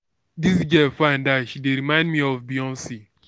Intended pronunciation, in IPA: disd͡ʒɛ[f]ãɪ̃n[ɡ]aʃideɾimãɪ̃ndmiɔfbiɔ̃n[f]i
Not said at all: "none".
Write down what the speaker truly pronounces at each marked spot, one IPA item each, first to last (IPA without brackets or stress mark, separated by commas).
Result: f, d, s